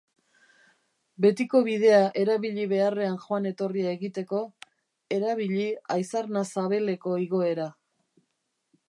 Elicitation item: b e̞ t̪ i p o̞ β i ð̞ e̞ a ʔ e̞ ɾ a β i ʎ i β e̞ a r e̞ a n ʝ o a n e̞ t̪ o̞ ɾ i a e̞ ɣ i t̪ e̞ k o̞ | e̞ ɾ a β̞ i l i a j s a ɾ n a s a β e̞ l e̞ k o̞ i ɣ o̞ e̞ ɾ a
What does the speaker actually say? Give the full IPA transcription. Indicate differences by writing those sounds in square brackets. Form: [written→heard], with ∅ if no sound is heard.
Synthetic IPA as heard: b e̞ t̪ i [p→k] o̞ β i ð̞ e̞ a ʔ e̞ ɾ a β i ʎ i β e̞ a r e̞ a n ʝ o a n e̞ t̪ o̞ [ɾ→r] i a e̞ ɣ i t̪ e̞ k o̞ | e̞ ɾ a β̞ i [l→ʎ] i a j s a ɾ n a s a β e̞ l e̞ k o̞ i ɣ o̞ e̞ ɾ a